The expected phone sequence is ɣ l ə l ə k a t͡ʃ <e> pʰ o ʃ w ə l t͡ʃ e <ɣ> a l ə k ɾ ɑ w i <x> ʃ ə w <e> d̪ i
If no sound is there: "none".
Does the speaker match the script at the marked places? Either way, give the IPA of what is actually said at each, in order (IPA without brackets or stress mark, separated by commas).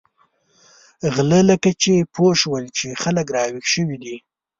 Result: e, x, x, i